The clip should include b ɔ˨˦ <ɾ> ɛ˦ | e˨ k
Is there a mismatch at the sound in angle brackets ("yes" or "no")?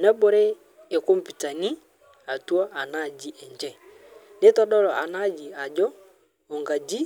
no